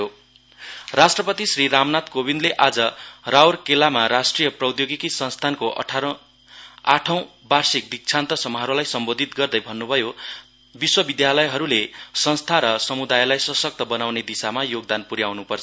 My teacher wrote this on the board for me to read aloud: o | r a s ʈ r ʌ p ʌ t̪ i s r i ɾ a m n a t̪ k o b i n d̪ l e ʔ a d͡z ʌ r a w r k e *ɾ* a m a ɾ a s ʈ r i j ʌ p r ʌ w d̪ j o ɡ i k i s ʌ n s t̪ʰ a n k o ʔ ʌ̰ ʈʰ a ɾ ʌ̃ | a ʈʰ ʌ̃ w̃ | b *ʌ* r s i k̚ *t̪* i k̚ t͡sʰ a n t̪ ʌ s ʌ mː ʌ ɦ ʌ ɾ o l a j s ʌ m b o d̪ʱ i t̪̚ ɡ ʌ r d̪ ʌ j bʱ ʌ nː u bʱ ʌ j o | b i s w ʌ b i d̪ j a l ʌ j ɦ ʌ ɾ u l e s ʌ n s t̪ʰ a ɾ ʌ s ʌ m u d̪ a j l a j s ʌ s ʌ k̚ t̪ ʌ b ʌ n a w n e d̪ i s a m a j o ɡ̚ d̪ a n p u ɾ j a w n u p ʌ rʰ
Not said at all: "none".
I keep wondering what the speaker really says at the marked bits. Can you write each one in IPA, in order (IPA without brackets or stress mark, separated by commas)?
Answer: l, a, d̪